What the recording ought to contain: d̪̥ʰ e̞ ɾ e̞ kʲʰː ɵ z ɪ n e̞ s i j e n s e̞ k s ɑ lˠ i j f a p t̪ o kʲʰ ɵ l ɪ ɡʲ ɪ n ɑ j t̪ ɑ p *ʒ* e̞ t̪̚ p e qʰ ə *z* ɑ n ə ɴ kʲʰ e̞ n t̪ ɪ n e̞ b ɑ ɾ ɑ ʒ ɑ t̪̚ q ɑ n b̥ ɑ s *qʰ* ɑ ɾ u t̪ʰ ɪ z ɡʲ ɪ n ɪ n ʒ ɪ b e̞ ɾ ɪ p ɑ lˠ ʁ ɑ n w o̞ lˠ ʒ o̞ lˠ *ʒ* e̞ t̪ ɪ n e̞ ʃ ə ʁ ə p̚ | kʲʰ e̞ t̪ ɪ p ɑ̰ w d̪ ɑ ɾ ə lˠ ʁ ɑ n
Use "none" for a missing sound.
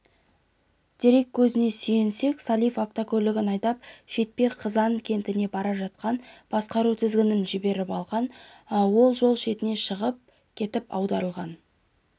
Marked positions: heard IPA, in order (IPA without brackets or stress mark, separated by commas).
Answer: ʃ, z, q, ʃ